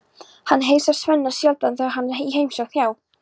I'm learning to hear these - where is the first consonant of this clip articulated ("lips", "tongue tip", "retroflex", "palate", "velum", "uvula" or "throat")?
throat